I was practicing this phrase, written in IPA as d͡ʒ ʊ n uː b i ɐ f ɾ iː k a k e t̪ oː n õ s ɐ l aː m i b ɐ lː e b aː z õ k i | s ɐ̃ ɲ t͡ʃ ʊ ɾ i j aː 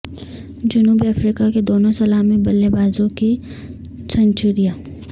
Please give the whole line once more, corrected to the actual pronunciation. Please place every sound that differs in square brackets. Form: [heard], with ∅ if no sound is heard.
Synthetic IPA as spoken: d͡ʒ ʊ n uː b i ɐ f ɾ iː k a k e [d̪] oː n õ s ɐ l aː m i b ɐ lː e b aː z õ k i | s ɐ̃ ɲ t͡ʃ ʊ ɾ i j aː